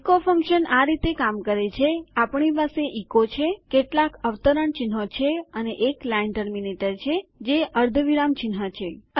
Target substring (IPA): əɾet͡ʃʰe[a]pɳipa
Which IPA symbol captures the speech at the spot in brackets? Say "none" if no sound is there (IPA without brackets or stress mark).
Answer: a